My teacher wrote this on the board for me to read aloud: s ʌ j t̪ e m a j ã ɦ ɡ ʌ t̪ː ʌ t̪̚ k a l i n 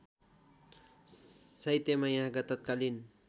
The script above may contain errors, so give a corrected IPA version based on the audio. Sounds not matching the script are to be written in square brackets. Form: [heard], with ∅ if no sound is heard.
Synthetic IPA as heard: s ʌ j t̪ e m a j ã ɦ ɡ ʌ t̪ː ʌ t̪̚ k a l i n